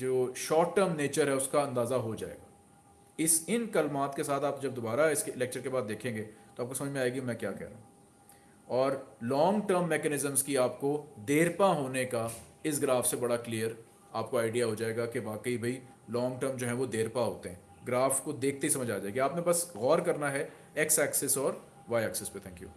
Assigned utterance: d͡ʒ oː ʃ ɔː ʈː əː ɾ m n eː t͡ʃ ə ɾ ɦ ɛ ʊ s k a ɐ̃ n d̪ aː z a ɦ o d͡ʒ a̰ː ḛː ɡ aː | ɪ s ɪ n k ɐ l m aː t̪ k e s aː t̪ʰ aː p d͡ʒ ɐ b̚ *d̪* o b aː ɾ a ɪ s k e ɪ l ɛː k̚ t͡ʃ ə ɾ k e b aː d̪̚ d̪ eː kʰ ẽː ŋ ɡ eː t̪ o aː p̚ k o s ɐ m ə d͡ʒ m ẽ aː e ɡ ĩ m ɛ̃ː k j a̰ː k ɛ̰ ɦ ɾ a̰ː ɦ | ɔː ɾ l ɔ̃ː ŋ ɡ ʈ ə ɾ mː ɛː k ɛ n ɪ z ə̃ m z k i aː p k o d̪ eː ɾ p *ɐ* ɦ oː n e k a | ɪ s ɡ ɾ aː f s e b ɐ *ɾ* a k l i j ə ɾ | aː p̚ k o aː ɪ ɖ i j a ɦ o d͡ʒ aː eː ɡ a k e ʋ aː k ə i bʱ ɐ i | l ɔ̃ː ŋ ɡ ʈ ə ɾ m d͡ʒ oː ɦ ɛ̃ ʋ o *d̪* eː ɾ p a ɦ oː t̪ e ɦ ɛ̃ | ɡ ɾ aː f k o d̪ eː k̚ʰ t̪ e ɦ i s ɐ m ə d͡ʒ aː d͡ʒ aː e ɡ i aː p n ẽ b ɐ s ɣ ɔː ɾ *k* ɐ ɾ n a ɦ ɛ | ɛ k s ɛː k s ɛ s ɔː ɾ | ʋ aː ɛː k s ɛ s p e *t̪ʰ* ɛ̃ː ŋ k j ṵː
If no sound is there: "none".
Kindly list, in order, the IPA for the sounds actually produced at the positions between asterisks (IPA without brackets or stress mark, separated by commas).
d̪, a, ɽ, d̪, k, t̪ʰ